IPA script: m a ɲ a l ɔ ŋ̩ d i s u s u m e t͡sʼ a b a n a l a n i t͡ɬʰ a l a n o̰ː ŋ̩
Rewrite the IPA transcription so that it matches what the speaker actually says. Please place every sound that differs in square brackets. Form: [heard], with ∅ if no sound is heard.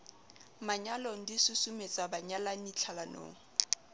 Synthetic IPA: m a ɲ a l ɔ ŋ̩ d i s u s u m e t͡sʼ a b a [ɲ] a l a n i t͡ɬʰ a l a n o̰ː ŋ̩